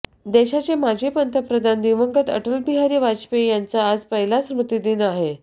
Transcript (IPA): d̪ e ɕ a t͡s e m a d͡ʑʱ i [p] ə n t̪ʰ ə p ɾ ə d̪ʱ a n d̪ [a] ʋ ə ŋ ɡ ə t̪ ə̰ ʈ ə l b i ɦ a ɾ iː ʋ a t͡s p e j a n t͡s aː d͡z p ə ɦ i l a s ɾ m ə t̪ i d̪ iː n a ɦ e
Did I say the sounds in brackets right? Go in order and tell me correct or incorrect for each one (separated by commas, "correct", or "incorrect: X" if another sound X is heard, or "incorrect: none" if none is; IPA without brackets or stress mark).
correct, incorrect: i